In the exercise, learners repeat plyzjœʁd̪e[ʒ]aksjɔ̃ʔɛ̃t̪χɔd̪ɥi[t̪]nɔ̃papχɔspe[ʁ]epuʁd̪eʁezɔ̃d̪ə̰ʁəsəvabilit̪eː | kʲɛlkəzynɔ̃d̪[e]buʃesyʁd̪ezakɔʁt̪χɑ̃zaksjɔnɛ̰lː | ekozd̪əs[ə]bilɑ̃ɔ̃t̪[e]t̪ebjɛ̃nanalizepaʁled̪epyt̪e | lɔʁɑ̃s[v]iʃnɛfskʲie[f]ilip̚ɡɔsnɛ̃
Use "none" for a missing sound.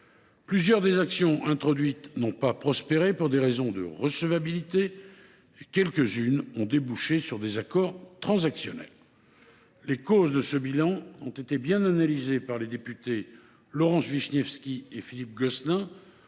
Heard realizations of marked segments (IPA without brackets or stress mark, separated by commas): z, t̪, ʁ, e, ə, e, v, f